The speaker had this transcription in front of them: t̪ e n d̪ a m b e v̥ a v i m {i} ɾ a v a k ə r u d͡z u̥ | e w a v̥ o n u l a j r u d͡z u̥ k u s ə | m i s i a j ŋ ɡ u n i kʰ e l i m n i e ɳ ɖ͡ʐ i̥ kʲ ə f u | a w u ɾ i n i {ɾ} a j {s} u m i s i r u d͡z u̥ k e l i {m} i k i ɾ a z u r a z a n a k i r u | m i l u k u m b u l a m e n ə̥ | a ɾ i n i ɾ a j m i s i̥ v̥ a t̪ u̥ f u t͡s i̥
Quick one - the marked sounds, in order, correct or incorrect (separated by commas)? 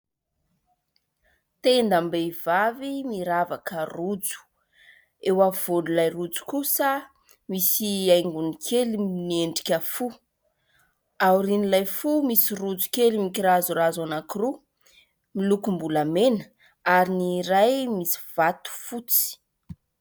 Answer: correct, incorrect, incorrect, correct